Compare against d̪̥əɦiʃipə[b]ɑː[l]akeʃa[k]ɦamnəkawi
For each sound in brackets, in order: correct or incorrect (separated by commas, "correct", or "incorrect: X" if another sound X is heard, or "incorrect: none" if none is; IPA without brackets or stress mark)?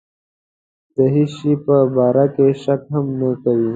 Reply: correct, incorrect: ɾ, correct